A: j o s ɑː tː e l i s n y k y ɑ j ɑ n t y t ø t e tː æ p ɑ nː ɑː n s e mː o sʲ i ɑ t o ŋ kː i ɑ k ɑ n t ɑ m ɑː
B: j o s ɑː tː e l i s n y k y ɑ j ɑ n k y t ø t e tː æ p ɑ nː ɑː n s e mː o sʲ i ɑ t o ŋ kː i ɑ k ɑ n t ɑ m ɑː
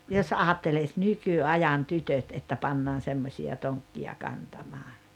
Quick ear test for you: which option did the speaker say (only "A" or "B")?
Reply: A